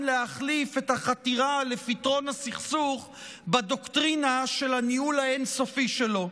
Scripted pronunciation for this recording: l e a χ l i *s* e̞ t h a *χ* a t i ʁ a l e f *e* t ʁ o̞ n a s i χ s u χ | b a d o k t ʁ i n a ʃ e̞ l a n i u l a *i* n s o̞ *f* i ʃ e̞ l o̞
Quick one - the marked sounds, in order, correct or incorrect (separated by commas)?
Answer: incorrect, correct, incorrect, incorrect, correct